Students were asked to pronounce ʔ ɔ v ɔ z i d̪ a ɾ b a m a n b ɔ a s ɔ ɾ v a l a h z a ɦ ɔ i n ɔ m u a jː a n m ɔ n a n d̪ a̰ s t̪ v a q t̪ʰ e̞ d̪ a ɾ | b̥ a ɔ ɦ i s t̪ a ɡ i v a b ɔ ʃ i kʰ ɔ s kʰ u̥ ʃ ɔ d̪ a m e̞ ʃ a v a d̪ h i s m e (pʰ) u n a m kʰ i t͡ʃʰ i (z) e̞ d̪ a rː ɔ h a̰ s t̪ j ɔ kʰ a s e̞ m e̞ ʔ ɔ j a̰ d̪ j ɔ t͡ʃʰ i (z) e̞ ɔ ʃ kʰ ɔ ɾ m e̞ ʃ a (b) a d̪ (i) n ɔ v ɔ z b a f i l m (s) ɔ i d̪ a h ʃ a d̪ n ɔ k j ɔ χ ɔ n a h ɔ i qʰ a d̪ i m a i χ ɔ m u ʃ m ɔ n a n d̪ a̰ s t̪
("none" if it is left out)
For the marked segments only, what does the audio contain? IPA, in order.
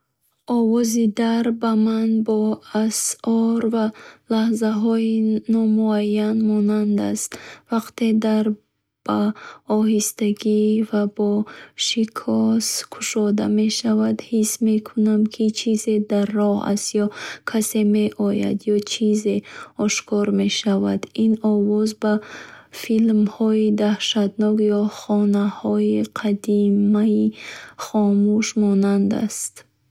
kʰ, z, z, v, i, h

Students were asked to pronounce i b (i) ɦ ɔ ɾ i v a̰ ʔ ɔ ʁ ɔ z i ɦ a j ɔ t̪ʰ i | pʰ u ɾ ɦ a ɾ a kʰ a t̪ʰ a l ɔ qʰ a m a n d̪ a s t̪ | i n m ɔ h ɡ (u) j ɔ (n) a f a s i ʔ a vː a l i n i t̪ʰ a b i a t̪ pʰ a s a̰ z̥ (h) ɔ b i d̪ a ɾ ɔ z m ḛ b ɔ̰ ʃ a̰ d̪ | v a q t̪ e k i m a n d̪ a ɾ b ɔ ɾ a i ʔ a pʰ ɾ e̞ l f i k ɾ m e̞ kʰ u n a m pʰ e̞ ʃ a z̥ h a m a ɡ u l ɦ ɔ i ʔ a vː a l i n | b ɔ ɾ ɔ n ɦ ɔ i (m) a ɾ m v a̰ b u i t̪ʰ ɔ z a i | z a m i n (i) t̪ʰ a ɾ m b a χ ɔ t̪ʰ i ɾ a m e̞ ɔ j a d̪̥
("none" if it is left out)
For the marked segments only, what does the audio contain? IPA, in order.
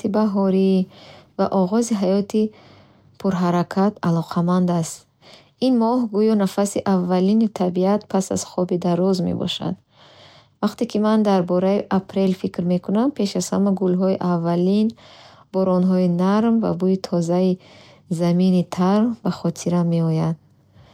a, u, n, χ, n, i

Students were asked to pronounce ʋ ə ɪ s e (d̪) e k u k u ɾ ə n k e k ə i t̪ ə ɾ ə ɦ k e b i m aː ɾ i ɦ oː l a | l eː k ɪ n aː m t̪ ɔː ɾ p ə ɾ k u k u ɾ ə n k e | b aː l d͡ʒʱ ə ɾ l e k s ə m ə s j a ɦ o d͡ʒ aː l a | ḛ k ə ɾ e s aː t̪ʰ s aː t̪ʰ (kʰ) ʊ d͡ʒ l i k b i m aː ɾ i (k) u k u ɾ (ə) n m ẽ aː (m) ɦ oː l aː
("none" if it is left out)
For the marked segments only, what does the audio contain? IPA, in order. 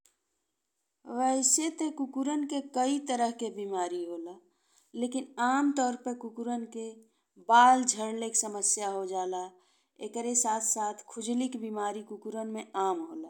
t̪, kʰ, k, ə, m

